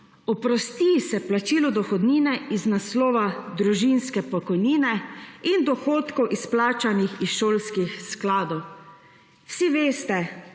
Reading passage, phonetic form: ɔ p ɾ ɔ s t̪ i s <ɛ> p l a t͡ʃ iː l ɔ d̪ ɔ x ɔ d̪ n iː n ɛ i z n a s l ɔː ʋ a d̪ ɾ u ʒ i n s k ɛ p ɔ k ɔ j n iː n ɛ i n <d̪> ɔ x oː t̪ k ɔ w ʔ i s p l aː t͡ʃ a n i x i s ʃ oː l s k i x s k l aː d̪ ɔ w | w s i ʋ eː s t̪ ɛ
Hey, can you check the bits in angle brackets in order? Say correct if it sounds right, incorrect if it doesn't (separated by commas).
correct, correct